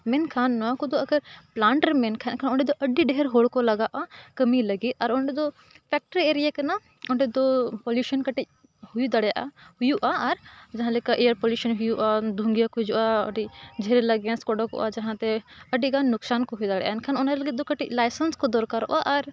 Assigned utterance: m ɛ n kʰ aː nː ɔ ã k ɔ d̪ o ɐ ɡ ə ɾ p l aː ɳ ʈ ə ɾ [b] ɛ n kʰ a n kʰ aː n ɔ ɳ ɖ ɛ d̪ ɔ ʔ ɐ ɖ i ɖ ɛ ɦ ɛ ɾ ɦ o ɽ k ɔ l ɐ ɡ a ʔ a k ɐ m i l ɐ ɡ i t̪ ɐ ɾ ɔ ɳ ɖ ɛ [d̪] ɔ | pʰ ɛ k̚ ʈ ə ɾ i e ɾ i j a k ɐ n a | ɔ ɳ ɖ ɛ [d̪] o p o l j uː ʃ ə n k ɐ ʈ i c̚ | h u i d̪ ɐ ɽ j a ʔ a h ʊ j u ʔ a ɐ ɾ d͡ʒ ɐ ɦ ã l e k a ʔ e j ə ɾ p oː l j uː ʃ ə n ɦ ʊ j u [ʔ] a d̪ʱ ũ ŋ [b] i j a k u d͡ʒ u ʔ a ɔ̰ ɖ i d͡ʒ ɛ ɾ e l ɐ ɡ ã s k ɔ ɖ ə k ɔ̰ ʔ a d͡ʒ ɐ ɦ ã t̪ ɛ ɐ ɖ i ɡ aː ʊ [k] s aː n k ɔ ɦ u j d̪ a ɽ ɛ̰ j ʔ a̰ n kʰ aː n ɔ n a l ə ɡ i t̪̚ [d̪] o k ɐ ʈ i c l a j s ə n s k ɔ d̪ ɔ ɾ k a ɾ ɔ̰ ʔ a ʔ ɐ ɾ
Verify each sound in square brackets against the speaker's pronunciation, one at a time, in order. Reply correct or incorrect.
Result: incorrect, correct, correct, correct, incorrect, correct, correct

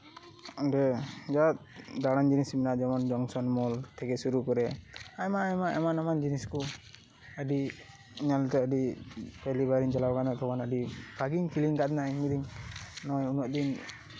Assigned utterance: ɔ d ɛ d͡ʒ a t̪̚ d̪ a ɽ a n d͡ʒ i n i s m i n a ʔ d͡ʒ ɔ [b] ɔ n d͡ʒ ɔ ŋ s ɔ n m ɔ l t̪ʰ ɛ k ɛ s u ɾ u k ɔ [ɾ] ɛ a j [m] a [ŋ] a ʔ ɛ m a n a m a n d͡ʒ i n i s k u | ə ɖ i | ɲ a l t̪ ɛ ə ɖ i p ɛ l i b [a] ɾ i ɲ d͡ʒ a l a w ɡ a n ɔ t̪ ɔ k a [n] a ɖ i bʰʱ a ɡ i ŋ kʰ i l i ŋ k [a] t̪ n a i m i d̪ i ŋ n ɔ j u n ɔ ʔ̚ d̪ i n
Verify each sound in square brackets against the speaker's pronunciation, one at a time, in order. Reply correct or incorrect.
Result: incorrect, correct, correct, incorrect, correct, correct, correct

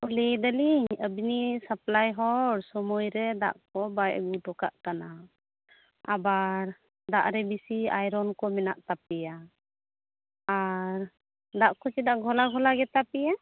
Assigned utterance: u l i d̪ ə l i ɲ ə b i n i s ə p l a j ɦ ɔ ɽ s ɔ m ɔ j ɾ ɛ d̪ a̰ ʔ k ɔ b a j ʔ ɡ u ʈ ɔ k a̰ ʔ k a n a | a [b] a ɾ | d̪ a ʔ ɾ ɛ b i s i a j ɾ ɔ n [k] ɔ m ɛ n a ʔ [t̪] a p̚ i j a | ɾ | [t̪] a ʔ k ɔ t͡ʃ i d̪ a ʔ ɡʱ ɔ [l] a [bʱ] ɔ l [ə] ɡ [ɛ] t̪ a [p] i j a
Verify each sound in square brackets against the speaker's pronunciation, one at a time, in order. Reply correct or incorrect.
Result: correct, correct, correct, incorrect, correct, incorrect, incorrect, correct, correct

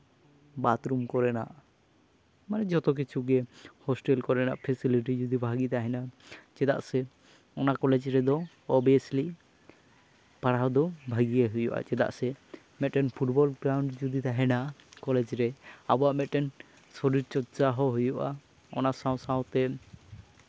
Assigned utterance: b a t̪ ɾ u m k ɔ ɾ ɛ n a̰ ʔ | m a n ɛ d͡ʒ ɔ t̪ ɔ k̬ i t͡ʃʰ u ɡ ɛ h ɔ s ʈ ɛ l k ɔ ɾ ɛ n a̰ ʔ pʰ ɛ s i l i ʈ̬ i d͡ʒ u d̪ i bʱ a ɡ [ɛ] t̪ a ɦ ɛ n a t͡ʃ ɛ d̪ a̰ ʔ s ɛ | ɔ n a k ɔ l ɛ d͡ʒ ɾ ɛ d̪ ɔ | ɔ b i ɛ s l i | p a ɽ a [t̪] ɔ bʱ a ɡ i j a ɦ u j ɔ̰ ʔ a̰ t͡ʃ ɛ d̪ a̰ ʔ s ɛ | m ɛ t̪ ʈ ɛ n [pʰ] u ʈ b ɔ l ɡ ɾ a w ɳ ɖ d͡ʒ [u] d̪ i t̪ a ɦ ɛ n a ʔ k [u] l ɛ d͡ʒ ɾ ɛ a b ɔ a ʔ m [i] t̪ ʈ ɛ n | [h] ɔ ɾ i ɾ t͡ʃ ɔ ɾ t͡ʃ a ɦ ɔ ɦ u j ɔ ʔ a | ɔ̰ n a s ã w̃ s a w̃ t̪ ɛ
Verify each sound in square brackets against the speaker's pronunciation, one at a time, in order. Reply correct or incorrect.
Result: incorrect, incorrect, correct, correct, incorrect, incorrect, incorrect

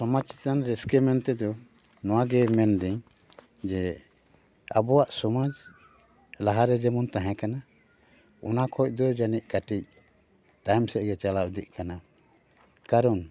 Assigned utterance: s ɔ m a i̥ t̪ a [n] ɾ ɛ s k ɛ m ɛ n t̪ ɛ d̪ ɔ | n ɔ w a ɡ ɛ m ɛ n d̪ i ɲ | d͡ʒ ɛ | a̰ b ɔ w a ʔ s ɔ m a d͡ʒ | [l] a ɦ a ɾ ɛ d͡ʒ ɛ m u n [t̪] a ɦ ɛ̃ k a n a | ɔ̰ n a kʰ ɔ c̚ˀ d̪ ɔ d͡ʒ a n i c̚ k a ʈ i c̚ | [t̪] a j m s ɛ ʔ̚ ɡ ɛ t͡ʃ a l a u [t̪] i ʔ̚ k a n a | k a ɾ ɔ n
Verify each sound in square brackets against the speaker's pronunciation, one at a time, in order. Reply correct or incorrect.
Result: correct, correct, correct, correct, incorrect

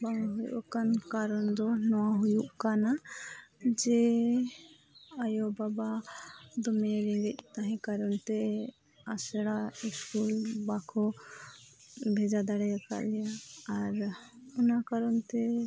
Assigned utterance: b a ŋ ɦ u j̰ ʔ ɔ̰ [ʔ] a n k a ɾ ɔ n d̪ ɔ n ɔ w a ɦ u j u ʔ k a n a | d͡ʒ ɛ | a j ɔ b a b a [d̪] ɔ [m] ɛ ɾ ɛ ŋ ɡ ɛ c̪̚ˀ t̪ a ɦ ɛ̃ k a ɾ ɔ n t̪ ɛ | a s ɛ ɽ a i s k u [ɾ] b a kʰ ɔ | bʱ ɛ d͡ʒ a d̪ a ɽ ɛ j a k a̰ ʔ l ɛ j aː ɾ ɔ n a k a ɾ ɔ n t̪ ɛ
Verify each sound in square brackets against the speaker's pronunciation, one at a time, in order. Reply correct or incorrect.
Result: incorrect, correct, correct, incorrect

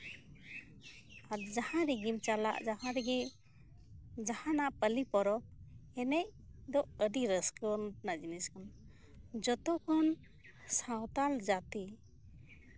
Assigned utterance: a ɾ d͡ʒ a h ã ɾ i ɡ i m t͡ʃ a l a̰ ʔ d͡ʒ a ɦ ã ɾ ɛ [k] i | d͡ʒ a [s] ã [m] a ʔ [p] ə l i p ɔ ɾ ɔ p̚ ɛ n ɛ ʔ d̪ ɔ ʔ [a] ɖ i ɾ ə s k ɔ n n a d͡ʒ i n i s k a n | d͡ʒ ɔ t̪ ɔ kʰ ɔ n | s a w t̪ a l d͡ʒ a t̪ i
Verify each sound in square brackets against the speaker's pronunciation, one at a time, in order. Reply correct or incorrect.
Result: incorrect, incorrect, incorrect, correct, incorrect

